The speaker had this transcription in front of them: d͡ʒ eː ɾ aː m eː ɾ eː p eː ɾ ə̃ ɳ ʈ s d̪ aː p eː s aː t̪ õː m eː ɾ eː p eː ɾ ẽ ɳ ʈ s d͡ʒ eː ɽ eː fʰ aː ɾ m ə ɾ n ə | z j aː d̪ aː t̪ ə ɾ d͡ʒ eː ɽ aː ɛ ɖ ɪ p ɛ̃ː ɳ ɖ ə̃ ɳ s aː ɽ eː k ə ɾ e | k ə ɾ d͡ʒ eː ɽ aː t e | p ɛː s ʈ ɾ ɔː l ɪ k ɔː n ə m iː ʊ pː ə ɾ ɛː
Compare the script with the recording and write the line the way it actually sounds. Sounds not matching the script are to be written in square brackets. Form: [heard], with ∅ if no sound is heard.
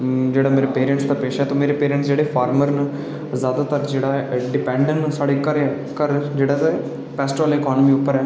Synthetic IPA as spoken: d͡ʒ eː [ɽ] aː m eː ɾ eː p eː ɾ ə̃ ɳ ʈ s d̪ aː p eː [ʃ] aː t̪ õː m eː ɾ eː p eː ɾ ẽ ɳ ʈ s d͡ʒ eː ɽ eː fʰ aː ɾ m ə ɾ n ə | z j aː d̪ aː t̪ ə ɾ d͡ʒ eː ɽ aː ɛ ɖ ɪ p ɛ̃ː ɳ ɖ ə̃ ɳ s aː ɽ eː k ə ɾ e | k ə ɾ d͡ʒ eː ɽ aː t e | p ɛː s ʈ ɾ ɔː l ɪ k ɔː n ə m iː ʊ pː ə ɾ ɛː